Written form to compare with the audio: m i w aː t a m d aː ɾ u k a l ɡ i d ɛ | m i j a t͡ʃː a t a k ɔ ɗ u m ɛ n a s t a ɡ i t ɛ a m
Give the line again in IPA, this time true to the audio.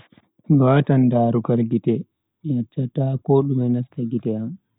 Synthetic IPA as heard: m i w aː t a n d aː ɾ u k a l ɡ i t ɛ | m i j a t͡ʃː a t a k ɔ ɗ u m ɛ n a s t a ɡ i t ɛ a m